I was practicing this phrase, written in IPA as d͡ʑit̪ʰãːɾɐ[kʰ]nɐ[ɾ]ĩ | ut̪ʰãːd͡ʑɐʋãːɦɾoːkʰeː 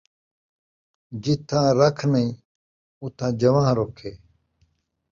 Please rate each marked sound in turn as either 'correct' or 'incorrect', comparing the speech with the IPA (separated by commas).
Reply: correct, incorrect